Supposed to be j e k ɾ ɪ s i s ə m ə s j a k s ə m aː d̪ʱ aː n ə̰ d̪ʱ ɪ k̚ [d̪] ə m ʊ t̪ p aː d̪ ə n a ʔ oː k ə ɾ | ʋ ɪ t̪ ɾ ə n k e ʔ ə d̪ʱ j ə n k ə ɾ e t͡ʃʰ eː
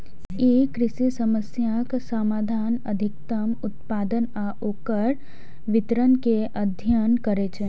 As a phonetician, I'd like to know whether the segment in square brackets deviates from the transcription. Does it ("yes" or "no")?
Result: yes